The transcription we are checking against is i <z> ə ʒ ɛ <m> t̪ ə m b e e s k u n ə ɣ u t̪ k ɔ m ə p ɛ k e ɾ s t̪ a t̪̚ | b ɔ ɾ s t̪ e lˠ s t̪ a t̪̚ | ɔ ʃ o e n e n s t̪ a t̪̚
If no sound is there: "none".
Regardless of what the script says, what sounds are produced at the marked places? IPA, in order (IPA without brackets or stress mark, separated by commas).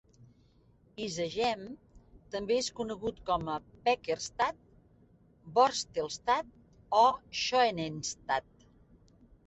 z, m